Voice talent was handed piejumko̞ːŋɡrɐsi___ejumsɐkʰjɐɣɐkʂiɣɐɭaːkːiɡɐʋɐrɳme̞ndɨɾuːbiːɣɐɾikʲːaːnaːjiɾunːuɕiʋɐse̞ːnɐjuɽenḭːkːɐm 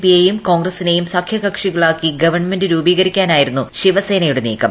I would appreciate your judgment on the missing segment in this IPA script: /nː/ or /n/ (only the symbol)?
n